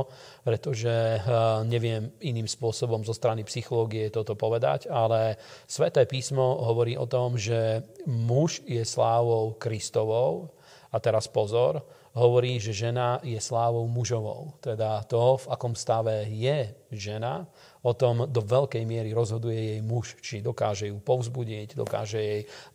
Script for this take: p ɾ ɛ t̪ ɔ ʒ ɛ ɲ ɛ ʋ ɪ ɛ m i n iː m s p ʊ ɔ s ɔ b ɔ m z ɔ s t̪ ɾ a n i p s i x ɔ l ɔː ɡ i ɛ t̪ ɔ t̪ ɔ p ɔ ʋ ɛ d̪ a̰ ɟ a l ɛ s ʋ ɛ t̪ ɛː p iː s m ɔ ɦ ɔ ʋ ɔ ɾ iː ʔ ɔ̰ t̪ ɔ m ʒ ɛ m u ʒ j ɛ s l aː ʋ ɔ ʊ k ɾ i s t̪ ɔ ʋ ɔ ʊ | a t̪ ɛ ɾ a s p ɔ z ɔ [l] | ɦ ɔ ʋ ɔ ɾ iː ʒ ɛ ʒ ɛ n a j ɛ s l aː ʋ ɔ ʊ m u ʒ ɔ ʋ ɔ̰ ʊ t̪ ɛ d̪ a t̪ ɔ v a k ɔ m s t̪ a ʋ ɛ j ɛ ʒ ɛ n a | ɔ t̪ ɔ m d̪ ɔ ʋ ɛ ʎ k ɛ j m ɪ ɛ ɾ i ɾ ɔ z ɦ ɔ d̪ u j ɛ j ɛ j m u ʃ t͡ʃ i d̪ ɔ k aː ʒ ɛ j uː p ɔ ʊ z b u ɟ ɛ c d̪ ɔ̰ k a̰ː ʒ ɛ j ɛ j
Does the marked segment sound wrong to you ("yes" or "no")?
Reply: yes